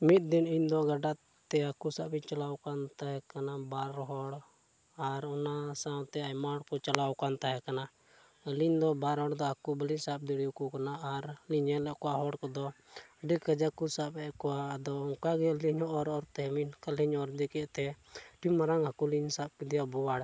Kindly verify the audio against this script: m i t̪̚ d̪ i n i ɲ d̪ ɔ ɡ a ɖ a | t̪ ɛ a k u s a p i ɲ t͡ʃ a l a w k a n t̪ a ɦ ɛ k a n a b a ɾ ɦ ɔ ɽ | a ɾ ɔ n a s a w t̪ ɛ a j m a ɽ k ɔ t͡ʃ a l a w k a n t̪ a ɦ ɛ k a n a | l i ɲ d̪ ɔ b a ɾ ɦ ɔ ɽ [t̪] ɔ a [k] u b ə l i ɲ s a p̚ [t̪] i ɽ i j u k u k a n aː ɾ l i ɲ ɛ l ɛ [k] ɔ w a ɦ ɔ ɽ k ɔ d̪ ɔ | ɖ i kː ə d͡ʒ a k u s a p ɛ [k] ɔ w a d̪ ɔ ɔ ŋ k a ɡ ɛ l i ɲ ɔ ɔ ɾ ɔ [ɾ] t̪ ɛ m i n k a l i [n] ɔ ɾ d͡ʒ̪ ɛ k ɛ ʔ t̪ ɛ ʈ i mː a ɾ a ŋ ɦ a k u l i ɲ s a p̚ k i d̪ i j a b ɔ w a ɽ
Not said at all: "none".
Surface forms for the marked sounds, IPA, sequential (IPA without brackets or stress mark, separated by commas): d̪, k, d̪, k, k, ɾ, ɲ